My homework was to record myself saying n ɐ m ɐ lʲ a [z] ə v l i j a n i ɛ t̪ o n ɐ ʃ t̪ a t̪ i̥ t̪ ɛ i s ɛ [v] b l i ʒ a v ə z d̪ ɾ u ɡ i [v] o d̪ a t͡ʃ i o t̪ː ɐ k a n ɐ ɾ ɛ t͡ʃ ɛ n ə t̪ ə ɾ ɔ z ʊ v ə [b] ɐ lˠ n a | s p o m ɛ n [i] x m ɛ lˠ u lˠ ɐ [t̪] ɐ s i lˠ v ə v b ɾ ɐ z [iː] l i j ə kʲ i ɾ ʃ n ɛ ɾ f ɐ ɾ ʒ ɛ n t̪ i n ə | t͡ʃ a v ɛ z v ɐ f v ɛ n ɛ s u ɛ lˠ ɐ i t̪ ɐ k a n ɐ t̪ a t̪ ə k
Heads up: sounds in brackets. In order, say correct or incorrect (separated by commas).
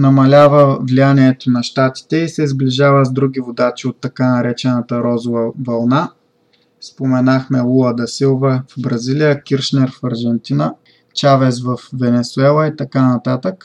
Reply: incorrect, incorrect, correct, incorrect, incorrect, incorrect, incorrect